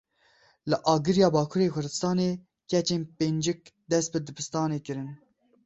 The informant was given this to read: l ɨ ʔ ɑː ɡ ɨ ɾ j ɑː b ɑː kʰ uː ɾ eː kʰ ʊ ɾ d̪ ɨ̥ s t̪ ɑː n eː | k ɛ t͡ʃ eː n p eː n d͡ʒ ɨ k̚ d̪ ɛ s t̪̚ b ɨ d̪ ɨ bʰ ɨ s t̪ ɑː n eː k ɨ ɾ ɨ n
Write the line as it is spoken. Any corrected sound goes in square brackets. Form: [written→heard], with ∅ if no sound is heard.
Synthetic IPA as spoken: l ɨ ʔ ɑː ɡ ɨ ɾ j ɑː b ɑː kʰ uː ɾ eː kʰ ʊ ɾ d̪ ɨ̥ s t̪ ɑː n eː | k ɛ t͡ʃ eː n p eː n d͡ʒ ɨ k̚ d̪ ɛ s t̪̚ b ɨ d̪ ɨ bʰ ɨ s t̪ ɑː n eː k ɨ ɾ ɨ n